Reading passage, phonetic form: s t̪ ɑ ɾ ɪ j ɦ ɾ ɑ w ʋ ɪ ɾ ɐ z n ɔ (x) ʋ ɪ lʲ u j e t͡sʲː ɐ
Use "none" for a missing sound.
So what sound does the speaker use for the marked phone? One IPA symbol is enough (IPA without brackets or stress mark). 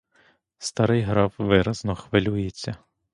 x